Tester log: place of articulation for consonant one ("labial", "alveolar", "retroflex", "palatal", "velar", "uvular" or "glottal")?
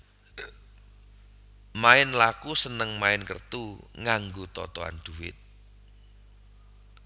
labial